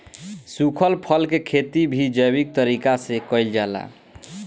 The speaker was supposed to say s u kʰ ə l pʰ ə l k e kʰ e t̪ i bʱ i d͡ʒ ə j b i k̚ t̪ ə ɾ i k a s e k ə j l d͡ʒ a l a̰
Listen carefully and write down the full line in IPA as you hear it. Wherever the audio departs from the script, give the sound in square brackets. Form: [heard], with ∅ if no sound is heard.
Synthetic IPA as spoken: s u kʰ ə l pʰ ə l k e kʰ e t̪ i bʱ i d͡ʒ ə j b i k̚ t̪ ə ɾ i k a s e k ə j l d͡ʒ a l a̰

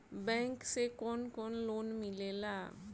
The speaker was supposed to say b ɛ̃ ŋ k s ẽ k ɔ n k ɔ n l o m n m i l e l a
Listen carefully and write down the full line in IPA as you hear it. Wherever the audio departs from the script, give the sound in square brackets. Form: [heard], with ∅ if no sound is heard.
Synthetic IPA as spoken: b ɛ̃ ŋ k s [e] k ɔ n k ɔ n l o [∅] n m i l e l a

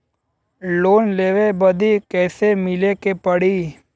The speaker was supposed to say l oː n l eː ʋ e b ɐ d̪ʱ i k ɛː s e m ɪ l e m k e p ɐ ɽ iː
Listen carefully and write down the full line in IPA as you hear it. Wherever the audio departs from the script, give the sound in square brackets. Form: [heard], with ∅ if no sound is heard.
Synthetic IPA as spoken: l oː n l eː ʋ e b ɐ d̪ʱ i k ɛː s e m ɪ l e [∅] k e p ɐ ɽ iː

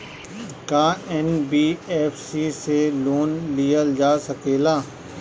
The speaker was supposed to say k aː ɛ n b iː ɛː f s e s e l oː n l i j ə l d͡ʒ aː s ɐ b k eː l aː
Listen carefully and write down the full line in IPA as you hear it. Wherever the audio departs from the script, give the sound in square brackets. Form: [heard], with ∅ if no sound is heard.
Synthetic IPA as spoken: k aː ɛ n b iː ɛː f s [i] s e l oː n l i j ə l d͡ʒ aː s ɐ [∅] k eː l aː

